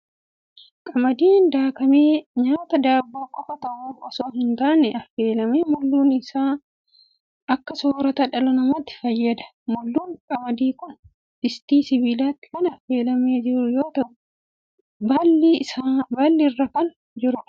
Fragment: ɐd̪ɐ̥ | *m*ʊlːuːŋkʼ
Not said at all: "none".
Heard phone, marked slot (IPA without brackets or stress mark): m